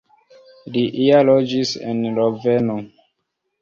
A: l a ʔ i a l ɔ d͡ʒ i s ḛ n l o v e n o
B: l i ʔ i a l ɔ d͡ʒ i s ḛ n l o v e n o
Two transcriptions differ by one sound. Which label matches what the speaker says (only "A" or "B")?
B